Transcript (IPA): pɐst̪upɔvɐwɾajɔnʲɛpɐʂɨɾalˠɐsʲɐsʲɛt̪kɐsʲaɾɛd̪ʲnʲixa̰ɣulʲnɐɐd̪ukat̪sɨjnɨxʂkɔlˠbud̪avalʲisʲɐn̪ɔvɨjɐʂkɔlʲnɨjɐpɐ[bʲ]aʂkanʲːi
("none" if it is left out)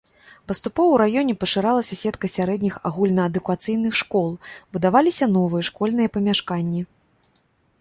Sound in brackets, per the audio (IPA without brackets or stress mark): mʲ